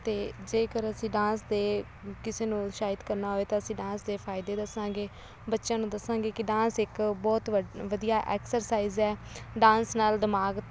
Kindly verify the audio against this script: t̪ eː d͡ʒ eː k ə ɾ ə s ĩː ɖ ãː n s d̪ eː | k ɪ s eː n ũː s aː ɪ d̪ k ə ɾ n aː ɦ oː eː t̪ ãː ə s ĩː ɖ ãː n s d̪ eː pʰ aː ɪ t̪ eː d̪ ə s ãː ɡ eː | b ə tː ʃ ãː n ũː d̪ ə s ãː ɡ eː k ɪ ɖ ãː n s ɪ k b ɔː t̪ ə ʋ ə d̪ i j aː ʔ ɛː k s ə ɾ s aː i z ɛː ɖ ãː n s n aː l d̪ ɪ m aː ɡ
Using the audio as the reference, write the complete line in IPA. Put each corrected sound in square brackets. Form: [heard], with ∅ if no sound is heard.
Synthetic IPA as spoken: t̪ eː d͡ʒ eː k ə ɾ ə s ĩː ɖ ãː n s d̪ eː | k ɪ s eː n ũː [ʃ] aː ɪ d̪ k ə ɾ n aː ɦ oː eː t̪ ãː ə s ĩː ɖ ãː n s d̪ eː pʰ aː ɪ [d̪] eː d̪ ə s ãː ɡ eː | b ə tː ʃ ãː n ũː d̪ ə s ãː ɡ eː k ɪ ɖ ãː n s ɪ k b ɔː t̪ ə ʋ ə d̪ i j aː ʔ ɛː k s ə ɾ s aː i z ɛː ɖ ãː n s n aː l d̪ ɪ m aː ɡ